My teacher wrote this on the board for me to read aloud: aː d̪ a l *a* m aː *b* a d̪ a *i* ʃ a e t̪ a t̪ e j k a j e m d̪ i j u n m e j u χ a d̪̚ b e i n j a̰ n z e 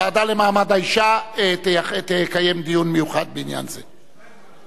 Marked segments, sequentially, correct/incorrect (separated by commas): incorrect, incorrect, correct